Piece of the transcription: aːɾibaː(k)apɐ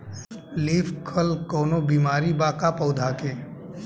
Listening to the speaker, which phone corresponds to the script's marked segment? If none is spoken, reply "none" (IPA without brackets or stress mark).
k